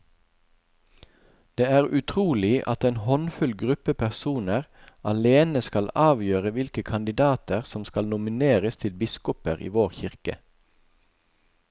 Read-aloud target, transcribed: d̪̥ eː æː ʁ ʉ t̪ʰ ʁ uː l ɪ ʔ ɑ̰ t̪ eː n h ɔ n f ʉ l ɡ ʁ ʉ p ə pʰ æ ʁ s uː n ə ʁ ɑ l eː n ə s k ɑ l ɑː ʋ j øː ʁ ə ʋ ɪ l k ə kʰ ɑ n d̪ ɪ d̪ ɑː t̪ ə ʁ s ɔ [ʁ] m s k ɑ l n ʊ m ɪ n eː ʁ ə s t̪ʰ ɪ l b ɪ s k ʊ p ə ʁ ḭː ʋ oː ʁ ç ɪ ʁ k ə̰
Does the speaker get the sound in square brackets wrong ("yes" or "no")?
yes